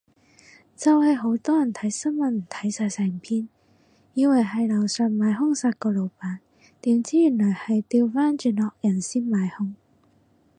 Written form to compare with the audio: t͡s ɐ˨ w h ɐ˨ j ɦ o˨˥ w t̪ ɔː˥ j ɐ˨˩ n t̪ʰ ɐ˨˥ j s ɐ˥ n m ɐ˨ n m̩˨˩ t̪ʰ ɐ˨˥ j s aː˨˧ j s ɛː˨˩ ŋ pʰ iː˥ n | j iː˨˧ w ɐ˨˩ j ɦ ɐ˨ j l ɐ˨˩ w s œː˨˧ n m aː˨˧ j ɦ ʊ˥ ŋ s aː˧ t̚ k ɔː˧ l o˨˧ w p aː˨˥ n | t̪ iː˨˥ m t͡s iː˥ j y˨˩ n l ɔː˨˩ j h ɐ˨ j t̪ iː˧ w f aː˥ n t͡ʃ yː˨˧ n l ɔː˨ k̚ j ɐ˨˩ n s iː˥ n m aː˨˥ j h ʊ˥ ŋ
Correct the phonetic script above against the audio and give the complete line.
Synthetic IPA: t͡s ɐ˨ w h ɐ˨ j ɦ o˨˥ w t̪ ɔː˥ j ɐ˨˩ n t̪ʰ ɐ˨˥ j s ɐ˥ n m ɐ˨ n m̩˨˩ t̪ʰ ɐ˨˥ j s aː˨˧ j s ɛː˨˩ ŋ pʰ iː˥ n | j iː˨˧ w ɐ˨˩ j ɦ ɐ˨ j l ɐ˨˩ w s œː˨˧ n m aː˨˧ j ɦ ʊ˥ ŋ s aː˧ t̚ k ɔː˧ l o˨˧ w p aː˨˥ n | t̪ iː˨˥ m t͡s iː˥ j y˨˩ n l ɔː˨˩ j h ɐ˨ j t̪ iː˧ w f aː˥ n t͡ʃ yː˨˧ n l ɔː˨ k̚ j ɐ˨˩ n s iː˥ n m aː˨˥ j h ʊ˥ ŋ

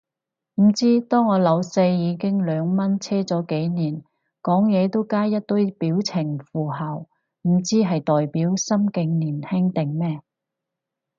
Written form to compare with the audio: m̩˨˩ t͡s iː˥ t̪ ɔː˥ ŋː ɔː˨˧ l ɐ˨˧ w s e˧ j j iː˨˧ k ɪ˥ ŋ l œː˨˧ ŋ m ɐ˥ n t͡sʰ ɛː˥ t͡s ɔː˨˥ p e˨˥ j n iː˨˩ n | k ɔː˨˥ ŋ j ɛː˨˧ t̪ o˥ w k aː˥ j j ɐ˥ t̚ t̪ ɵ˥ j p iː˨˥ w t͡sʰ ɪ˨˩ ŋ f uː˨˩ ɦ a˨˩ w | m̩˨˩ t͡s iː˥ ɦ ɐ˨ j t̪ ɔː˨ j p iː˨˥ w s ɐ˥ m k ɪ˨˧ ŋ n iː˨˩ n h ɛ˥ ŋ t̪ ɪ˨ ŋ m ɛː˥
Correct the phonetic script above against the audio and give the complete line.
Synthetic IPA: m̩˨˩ t͡s iː˥ t̪ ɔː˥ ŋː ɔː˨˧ l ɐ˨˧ w s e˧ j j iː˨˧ k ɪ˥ ŋ l œː˨˧ ŋ m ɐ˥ n t͡sʰ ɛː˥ t͡s ɔː˨˥ k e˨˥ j n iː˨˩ n | k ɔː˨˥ ŋ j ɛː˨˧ t̪ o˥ w k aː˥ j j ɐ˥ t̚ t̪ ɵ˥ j p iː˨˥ w t͡sʰ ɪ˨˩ ŋ f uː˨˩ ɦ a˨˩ w | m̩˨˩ t͡s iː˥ ɦ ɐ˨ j t̪ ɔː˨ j p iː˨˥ w s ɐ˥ m k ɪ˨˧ ŋ n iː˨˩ n h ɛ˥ ŋ t̪ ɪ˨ ŋ m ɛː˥

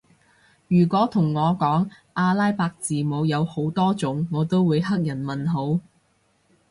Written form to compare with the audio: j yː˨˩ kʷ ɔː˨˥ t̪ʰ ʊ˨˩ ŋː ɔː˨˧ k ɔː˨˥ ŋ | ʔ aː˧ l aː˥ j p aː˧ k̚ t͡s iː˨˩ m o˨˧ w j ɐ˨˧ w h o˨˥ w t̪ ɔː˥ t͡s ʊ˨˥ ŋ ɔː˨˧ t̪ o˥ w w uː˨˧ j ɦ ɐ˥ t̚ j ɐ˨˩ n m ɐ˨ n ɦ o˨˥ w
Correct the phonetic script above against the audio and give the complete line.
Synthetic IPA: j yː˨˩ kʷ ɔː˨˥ t̪ʰ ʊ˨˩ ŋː ɔː˨˧ k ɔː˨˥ ŋ | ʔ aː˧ l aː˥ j p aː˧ k̚ t͡s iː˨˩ m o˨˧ w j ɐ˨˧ w h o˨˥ w t̪ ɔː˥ t͡s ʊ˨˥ ŋː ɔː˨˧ t̪ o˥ w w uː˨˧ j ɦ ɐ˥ k̚ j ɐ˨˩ n m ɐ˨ n ɦ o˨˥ w

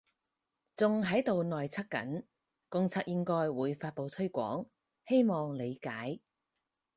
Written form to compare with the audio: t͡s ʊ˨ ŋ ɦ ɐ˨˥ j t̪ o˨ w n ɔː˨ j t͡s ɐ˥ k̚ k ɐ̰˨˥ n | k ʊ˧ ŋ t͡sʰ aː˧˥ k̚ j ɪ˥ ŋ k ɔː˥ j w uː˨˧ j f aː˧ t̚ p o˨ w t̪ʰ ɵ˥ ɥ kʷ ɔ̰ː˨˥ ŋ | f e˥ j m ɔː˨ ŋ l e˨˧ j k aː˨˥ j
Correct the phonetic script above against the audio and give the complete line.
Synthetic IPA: t͡s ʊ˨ ŋ ɦ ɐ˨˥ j t̪ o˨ w n ɔː˨ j t͡sʰ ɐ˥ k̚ k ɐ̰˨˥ n | k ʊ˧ ŋ t͡sʰ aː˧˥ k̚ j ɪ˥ ŋ k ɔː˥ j w uː˨˧ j f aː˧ t̚ p o˨ w t̪ʰ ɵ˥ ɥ kʷ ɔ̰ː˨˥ ŋ | h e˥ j m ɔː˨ ŋ l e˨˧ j k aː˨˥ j

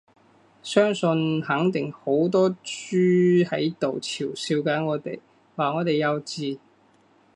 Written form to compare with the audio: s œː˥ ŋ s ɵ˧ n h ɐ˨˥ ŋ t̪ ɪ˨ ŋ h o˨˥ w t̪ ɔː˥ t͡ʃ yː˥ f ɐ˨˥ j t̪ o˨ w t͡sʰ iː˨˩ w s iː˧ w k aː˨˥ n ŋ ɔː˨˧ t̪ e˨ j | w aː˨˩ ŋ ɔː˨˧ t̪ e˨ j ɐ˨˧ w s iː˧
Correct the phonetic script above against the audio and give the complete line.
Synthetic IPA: s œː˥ ŋ s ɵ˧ n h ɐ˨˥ ŋ t̪ ɪ˨ ŋ h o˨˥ w t̪ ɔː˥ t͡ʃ yː˥ h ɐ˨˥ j t̪ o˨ w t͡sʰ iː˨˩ w s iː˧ w k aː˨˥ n ŋ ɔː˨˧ t̪ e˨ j | w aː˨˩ ŋ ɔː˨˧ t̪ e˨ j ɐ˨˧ w t͡s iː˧

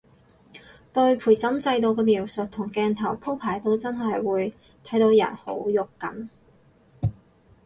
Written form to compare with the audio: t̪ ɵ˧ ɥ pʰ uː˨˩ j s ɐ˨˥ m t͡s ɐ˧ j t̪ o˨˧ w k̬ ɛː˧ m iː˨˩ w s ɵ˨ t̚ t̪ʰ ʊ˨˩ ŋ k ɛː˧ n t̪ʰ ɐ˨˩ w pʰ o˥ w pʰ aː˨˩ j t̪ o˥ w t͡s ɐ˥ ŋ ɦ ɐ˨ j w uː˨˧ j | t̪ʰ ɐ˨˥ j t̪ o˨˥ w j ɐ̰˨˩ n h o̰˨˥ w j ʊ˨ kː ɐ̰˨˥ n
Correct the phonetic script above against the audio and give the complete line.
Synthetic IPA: t̪ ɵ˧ ɥ pʰ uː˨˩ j s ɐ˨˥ m t͡s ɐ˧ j t̪ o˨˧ w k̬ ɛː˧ m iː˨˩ w s ɵ˨ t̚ t̪ʰ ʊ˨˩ ŋ k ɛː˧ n t̪ʰ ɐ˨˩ w pʰ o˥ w pʰ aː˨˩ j t̪ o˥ w t͡s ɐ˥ n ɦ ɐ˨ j w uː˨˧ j | t̪ʰ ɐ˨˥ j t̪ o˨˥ w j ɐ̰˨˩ n h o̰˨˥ w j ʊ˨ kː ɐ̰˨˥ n

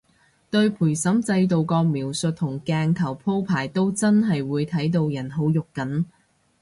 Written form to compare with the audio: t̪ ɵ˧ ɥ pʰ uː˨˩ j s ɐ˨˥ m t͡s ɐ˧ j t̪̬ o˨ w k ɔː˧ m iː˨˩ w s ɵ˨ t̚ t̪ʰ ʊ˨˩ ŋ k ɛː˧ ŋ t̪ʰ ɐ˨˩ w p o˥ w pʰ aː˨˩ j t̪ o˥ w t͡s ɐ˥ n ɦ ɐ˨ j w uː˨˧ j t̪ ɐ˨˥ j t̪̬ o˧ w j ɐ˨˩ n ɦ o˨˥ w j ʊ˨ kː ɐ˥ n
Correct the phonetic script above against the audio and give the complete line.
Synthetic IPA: t̪ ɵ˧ ɥ pʰ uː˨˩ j s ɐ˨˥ m t͡s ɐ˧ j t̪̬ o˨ w k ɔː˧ m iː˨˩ w s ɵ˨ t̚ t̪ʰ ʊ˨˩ ŋ k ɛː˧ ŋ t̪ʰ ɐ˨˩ w pʰ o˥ w pʰ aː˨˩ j t̪ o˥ w t͡s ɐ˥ n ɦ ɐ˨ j w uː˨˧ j t̪ʰ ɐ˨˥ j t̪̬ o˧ w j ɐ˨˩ n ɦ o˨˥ w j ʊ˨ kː ɐ˨˥ n

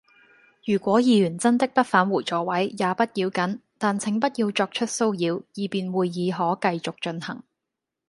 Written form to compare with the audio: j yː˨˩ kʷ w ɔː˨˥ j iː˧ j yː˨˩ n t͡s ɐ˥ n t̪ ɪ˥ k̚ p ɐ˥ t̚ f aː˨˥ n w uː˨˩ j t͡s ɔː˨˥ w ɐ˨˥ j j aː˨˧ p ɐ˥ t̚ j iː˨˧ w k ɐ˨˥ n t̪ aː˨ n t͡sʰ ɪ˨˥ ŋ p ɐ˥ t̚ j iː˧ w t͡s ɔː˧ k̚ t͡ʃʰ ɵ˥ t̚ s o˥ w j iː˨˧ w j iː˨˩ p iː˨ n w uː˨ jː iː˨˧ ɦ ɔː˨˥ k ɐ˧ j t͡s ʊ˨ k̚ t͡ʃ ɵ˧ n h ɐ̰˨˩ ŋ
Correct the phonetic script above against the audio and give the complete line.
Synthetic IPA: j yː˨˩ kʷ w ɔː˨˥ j iː˧ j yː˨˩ n t͡s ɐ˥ n t̪ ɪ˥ k̚ p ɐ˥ t̚ f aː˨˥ n w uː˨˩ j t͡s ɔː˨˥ w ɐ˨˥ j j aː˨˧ p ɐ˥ t̚ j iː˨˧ w k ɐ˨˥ n t̪ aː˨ n t͡sʰ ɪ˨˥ ŋ p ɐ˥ t̚ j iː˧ w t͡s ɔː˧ k̚ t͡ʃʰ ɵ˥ t̚ s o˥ w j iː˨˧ w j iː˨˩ p iː˨ n w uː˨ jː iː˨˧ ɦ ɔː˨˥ k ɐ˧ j t͡s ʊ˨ k̚ t͡ʃ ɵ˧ n h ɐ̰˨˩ ŋ

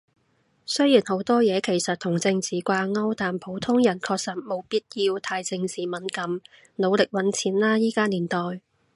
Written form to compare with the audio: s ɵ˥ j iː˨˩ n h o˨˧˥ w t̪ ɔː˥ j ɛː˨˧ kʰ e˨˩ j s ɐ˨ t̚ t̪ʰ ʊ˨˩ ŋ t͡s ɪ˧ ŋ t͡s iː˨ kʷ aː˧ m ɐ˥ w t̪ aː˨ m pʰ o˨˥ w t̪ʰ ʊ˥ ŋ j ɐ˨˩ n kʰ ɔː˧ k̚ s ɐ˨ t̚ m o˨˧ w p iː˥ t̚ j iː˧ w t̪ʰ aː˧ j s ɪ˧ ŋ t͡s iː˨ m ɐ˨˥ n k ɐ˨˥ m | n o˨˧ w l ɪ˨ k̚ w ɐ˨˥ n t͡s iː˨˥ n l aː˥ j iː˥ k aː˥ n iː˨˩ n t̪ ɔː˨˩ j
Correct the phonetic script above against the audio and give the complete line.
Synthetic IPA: s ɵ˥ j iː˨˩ n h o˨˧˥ w t̪ ɔː˥ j ɛː˨˧ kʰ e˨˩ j s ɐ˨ t̚ t̪ʰ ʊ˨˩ ŋ t͡s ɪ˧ ŋ t͡s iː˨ kʷ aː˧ ŋ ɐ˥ w t̪ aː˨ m pʰ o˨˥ w t̪ʰ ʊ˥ ŋ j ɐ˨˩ n kʰ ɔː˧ k̚ s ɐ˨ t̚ m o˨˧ w p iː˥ t̚ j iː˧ w t̪ʰ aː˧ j t͡s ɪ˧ ŋ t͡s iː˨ m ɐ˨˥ n k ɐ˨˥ m | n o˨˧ w l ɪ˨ k̚ w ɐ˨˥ n t͡sʰ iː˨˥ n l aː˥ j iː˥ k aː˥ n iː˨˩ n t̪ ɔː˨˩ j

